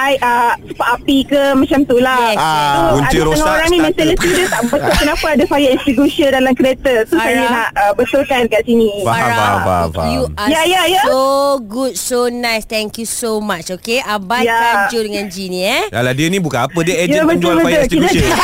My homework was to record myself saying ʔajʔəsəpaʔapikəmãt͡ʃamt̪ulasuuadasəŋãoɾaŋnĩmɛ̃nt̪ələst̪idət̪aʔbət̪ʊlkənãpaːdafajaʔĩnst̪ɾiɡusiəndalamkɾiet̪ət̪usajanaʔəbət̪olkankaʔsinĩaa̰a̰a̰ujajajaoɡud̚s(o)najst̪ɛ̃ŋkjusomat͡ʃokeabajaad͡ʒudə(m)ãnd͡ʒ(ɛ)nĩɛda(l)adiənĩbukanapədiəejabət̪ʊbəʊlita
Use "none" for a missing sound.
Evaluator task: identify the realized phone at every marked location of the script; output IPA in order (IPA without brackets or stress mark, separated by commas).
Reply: o, ŋ, i, l